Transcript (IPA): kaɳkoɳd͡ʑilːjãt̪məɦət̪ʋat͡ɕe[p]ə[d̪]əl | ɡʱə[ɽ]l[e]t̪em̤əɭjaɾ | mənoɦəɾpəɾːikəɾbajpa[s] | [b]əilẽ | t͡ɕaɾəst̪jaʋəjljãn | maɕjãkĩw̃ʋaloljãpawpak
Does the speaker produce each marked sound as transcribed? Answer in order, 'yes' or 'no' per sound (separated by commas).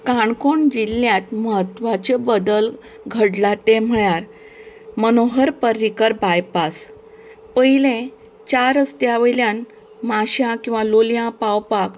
no, yes, yes, no, yes, no